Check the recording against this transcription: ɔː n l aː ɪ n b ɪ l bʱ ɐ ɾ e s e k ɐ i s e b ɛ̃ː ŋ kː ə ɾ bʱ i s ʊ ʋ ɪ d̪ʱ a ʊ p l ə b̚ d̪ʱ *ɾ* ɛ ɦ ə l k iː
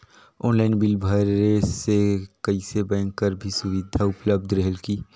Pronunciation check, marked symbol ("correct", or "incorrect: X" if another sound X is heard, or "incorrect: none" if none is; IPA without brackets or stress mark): correct